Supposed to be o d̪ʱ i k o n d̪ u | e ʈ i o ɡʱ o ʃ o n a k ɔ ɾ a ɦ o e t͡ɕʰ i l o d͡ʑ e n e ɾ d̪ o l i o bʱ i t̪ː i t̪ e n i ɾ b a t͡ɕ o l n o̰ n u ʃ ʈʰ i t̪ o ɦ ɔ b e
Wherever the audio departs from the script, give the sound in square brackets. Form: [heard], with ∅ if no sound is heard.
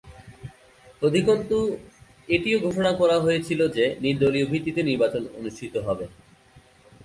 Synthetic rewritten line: o d̪ʱ i k o n [t̪] u | e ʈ i o ɡʱ o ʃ o n a k ɔ ɾ a ɦ o e t͡ɕʰ i l o d͡ʑ e n [i] ɾ d̪ o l i o bʱ i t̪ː i t̪ e n i ɾ b a t͡ɕ o [∅] n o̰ n u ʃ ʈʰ i t̪ o ɦ ɔ b e